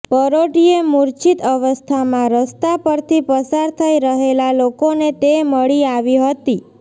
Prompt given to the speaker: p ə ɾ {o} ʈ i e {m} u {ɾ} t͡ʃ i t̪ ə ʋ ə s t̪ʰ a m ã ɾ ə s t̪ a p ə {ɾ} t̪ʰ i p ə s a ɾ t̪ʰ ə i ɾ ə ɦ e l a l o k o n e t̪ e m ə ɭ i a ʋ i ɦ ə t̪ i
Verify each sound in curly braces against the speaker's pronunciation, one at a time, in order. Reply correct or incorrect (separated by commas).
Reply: correct, correct, correct, correct